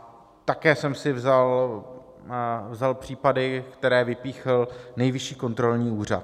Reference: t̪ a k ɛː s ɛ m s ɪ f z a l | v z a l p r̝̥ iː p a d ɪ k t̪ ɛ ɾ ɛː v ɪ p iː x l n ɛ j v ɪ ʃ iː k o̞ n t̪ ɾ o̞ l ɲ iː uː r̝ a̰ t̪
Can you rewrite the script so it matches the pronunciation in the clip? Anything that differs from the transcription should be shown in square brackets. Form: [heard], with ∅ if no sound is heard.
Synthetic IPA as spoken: t̪ a k ɛː s ɛ m s ɪ [v] z a l | v z a l p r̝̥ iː p a d ɪ k t̪ ɛ ɾ ɛː v ɪ p iː x l n ɛ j v ɪ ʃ iː k o̞ n t̪ ɾ o̞ l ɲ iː uː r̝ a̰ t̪